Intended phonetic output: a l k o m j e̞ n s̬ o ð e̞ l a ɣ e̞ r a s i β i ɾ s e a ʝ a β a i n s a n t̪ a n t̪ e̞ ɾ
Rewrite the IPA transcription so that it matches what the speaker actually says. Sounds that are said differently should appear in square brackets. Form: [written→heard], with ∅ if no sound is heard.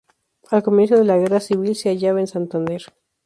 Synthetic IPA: a l k o m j e̞ n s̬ o ð e̞ l a ɣ e̞ r a s i β i [ɾ→l] s e a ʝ a β a [i→e] n s a n t̪ a n [t̪→d̪] e̞ ɾ